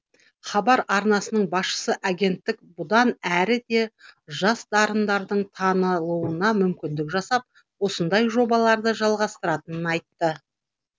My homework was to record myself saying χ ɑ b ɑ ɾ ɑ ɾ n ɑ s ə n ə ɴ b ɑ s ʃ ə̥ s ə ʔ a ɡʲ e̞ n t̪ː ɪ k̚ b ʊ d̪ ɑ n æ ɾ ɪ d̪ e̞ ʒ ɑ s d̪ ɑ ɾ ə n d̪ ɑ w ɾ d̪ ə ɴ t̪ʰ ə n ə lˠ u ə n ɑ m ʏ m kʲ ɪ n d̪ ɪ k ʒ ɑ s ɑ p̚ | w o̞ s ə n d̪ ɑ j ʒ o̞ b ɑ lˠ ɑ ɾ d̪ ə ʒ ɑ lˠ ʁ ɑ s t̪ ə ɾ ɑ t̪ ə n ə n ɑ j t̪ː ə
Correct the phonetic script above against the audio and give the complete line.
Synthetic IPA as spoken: χ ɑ b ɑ ɾ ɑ ɾ n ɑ s ə n ə ɴ b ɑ s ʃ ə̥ s ə ʔ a ɡʲ e̞ n t̪ː ɪ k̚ b ʊ d̪ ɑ n æ ɾ ɪ d̪ e̞ ʒ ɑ s d̪ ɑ ɾ ə n d̪ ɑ ɾ d̪ ə ɴ t̪ʰ ɑ n ə lˠ u ə n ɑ m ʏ m kʲ ɪ n d̪ ɪ k ʒ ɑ s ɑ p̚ | w o̞ s ə n d̪ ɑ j ʒ o̞ b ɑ lˠ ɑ ɾ d̪ ə ʒ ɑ lˠ ʁ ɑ s t̪ ə ɾ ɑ t̪ ə n ə n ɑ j t̪ː ə